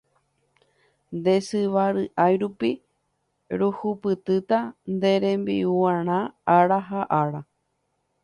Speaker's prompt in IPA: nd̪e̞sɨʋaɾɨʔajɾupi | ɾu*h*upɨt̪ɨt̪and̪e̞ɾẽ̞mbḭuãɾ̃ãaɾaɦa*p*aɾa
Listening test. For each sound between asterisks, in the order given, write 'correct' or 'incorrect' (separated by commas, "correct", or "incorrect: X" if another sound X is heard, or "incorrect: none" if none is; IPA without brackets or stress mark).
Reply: correct, incorrect: ʔ